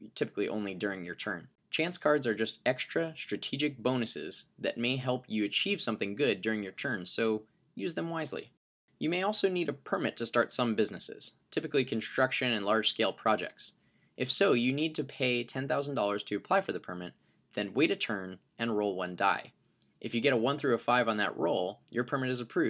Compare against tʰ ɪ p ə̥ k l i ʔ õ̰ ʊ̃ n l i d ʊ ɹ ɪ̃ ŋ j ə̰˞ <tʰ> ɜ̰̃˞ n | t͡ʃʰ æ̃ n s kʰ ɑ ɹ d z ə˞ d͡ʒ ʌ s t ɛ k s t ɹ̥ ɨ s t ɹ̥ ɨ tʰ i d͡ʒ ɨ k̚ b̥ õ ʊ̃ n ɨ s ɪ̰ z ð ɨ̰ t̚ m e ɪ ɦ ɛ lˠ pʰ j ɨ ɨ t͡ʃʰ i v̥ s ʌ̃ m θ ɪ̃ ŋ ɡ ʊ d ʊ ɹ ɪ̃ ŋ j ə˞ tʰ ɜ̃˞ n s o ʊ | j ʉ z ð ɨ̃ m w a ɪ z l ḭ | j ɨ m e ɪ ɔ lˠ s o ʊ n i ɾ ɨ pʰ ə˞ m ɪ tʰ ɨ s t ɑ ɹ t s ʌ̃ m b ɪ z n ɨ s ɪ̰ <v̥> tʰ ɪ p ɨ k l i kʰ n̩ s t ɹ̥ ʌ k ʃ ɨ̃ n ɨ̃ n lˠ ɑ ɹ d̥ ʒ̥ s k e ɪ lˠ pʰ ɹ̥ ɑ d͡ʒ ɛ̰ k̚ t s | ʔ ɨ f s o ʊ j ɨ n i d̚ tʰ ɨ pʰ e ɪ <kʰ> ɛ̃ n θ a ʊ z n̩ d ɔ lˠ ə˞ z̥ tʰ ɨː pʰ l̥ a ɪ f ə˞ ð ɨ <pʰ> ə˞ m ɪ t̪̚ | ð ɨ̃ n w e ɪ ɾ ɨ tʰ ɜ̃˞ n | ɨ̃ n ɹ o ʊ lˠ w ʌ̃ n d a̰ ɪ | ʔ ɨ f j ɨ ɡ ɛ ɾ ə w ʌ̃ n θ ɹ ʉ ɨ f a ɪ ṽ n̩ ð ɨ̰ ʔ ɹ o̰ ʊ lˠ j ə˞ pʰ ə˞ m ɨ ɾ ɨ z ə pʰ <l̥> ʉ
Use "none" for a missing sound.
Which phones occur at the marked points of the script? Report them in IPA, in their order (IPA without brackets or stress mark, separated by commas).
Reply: tʰ, z̥, tʰ, pʰ, ɹ̥